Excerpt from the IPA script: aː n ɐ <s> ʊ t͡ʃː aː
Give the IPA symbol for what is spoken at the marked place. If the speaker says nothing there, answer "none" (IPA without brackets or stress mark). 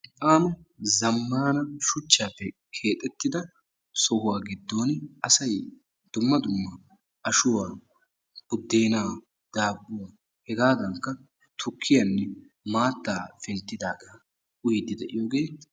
ʃ